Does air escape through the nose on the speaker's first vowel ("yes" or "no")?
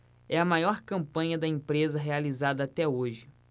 no